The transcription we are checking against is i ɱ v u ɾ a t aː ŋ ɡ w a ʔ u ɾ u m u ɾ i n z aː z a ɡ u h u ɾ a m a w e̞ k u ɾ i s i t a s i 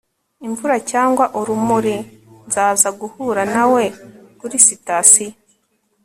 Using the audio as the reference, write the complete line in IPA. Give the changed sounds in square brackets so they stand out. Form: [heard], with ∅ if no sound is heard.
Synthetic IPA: i ɱ v u ɾ a [c] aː ŋ ɡ w a ʔ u ɾ u m u ɾ i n z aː z a ɡ u h u ɾ a [n] a w e̞ k u ɾ i s i t a s i